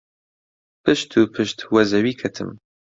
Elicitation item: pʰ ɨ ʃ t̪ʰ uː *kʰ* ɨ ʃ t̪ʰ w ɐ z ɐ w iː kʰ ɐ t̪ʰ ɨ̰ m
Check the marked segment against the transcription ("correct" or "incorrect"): incorrect